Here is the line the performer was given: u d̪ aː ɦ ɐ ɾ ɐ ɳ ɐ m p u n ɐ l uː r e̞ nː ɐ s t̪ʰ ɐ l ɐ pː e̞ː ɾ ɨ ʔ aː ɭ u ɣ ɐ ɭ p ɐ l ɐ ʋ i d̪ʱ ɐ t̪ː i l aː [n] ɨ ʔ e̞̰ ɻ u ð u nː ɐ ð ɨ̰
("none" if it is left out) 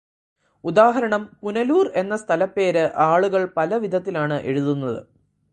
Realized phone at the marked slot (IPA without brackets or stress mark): ɳ